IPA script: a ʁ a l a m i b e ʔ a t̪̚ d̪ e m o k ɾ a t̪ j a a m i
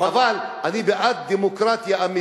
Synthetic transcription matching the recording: a v a l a n i b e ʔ a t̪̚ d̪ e m o k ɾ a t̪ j a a m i